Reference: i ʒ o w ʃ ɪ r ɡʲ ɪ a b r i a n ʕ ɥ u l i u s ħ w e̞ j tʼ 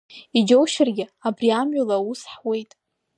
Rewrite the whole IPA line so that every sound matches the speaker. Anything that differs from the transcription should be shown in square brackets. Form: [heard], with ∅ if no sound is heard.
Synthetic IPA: i [d͡ʒ] o w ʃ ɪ r ɡʲ ɪ a b r i a [m] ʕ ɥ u l [a] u s ħ w e̞ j tʼ